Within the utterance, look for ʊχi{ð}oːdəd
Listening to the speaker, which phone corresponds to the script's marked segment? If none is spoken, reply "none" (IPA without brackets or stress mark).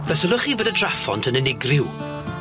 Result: v